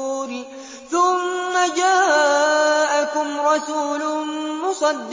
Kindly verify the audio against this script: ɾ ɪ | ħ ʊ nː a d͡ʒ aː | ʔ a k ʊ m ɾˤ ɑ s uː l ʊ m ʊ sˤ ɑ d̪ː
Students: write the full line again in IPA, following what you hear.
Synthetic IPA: ɾ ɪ | θ ʊ mː a d͡ʒ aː | ʔ a k ʊ m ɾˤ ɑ s uː l ʊ m ʊ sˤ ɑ d̪ː